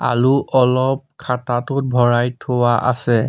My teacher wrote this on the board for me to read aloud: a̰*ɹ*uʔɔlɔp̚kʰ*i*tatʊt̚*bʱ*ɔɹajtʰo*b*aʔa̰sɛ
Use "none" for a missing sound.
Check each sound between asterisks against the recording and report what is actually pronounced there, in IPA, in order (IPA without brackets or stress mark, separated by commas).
l, a, bʱ, w